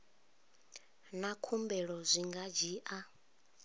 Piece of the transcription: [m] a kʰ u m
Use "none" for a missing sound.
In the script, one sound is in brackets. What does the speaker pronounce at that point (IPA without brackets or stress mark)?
n